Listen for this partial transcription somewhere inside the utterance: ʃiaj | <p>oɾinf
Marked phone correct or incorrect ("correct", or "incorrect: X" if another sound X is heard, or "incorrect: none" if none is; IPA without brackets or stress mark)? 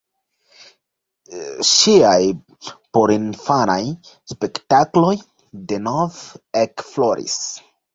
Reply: correct